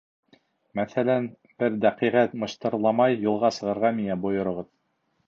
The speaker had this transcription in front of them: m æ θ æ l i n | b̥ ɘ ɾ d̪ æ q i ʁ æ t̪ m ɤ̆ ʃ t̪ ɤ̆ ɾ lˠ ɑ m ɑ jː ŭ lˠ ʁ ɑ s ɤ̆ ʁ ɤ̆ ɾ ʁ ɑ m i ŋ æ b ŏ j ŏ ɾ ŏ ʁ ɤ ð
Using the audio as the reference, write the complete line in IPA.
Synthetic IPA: m æ θ æ l æ n | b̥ ɘ ɾ d̪ æ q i ʁ æ t̪ m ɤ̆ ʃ t̪ ɤ̆ ɾ lˠ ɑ m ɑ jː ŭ lˠ ʁ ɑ s ɤ̆ ʁ ɤ̆ ɾ ʁ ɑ m i ŋ æ b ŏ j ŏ ɾ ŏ ʁ ɤ ð